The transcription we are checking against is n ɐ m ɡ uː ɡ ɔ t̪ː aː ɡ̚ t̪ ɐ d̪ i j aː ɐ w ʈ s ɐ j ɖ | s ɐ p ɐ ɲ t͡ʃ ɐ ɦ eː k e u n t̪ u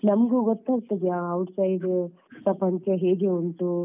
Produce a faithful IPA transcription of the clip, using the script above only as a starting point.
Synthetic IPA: n ɐ m ɡ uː ɡ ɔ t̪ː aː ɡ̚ t̪ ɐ d̪ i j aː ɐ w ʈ s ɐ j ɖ | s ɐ p ɐ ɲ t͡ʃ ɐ ɦ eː ɡ e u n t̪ u